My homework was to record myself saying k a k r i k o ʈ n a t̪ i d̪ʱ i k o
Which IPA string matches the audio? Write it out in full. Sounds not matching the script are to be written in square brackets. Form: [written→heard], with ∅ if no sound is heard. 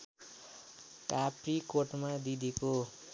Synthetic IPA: k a [k→p] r i k o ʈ [n→m] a [t̪→d̪] i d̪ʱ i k o

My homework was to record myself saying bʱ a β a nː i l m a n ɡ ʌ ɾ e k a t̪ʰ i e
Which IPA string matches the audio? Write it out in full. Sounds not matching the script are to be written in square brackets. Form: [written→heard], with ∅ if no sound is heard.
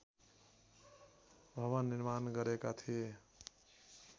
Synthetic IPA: bʱ [a→ʌ] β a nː i [l→ɾ] m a n ɡ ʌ ɾ e k a t̪ʰ i e

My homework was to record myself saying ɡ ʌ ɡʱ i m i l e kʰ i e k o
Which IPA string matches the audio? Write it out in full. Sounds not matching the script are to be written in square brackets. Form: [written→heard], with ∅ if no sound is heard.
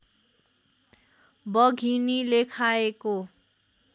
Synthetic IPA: [ɡ→b] ʌ ɡʱ i [m→n] i l e kʰ [i→a] e k o

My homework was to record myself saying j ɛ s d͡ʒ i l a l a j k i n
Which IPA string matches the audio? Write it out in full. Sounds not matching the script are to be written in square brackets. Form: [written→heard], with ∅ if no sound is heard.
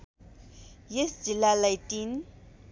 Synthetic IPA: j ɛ s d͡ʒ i l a l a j [k→t] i n

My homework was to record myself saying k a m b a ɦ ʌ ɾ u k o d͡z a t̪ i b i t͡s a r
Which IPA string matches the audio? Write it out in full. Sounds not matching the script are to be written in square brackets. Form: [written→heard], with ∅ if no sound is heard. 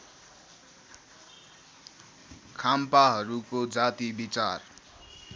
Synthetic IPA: [k→kʰ] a m [b→p] a ɦ ʌ ɾ u k o d͡z a t̪ i b i t͡s a r

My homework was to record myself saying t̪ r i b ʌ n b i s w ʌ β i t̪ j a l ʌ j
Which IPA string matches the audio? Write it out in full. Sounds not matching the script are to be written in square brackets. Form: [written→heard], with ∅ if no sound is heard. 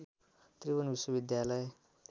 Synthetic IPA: t̪ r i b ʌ n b i s w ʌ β i [t̪→d̪] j a l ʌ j

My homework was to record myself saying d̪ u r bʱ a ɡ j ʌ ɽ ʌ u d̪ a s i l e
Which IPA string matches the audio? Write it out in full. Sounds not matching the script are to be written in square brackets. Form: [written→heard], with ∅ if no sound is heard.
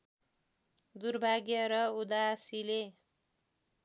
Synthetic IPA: d̪ u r bʱ a ɡ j ʌ [ɽ→ɾ] ʌ u d̪ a s i l e

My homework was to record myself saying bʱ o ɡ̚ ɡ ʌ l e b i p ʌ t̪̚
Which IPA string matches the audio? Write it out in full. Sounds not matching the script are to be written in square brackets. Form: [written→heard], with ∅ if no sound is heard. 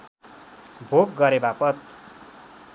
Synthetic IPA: bʱ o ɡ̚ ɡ ʌ [l→ɾ] e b [i→a] p ʌ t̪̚

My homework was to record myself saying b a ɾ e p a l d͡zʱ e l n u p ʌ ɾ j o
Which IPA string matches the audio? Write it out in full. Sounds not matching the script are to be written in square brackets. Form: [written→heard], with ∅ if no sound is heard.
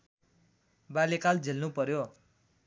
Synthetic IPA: b a [ɾ→l] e [p→k] a l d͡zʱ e l n u p ʌ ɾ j o

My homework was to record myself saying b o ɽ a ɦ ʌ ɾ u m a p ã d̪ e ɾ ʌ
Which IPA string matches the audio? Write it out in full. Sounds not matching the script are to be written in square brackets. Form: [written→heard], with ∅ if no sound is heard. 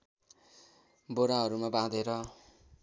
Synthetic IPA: b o [ɽ→ɾ] a ɦ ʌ ɾ u m a [p→b] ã d̪ e ɾ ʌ

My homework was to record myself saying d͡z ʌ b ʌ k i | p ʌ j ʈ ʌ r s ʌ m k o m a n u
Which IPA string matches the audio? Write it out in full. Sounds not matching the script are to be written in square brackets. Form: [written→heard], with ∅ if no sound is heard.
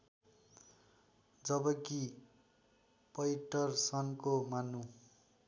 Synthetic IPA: d͡z ʌ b ʌ k i | p ʌ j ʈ ʌ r s ʌ [m→n] k o m a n u

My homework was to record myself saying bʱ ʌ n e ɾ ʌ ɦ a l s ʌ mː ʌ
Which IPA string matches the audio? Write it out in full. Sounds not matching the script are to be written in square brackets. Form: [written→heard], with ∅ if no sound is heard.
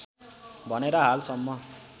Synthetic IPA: bʱ ʌ n e ɾ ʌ ɦ a l s ʌ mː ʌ

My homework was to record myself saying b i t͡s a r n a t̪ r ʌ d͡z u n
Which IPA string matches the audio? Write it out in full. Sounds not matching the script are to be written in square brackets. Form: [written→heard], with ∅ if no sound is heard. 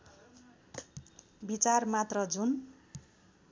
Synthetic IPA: b i t͡s a r [n→m] a t̪ r ʌ d͡z u n

